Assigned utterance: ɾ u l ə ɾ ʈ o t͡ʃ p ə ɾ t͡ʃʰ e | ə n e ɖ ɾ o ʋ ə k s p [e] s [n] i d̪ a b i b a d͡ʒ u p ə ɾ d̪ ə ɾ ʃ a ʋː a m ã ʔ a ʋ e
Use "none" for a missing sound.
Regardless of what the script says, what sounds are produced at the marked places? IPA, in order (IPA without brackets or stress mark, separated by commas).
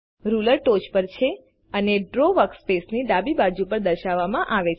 e, n